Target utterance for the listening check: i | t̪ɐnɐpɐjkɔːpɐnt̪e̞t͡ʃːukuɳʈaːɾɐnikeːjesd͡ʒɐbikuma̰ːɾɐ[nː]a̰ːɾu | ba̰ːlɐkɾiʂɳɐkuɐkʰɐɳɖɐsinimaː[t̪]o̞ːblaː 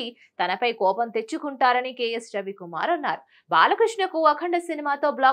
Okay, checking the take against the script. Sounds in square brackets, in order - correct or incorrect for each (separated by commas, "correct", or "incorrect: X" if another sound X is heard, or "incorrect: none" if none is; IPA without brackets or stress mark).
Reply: correct, correct